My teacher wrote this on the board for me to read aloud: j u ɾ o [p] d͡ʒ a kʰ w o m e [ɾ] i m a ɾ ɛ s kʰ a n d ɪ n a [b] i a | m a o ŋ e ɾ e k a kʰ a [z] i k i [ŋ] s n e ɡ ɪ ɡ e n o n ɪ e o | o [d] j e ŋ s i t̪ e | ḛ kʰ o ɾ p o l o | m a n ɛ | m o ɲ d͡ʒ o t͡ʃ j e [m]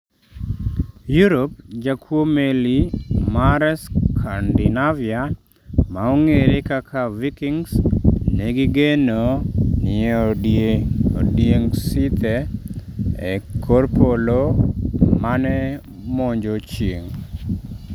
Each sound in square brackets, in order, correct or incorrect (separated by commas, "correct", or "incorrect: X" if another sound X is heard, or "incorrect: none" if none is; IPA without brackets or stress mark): correct, incorrect: l, incorrect: v, incorrect: v, correct, correct, incorrect: ŋ